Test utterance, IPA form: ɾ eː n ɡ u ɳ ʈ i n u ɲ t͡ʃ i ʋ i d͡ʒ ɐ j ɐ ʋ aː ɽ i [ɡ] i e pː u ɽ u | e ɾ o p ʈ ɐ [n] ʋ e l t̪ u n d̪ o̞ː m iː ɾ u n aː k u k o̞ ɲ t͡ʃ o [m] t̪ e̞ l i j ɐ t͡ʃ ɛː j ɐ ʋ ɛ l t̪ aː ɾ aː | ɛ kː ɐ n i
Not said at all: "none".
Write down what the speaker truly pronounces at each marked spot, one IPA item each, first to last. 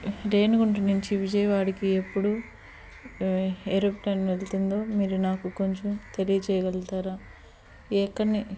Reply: k, n, m

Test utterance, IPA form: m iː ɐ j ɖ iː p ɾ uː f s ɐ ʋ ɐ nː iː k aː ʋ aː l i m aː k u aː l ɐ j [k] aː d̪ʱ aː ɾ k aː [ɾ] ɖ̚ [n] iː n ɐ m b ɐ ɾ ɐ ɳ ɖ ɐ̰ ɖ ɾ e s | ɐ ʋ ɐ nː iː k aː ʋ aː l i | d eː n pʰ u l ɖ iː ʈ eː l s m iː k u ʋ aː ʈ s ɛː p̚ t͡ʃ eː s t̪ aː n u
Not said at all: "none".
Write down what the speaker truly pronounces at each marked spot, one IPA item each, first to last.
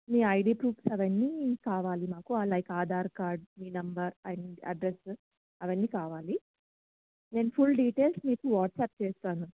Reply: k, ɾ, m

